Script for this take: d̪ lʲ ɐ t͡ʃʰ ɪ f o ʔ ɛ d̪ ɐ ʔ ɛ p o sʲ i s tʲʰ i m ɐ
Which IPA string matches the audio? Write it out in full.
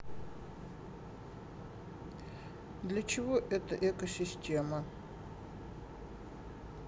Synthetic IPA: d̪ lʲ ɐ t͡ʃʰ ɪ v o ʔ ɛ t̪ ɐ ʔ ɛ k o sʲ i s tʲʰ e m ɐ